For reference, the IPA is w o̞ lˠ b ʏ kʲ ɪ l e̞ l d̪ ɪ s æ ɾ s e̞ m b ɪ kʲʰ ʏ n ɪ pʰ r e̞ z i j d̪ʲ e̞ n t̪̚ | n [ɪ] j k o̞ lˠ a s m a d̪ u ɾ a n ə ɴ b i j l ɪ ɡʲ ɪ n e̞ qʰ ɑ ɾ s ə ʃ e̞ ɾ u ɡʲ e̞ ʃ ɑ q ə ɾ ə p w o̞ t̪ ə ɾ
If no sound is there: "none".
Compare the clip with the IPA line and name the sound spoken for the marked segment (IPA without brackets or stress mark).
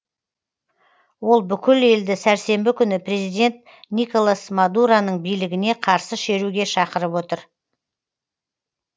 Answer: i